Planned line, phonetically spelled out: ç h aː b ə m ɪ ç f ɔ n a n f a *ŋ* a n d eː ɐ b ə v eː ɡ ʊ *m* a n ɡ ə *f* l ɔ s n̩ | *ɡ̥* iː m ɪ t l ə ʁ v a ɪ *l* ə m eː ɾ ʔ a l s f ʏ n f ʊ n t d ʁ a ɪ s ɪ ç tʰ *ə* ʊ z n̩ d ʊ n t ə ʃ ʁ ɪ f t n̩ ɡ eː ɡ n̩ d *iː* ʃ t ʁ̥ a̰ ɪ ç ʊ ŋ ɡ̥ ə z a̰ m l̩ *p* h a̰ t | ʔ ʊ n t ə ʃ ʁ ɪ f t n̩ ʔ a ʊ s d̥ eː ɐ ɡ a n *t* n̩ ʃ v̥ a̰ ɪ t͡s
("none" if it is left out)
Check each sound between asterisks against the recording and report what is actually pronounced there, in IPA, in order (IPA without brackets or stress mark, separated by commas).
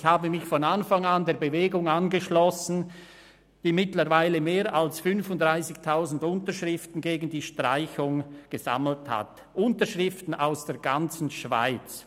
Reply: ŋ, ŋ, ʃ, d̥, l, a, iː, t, t͡s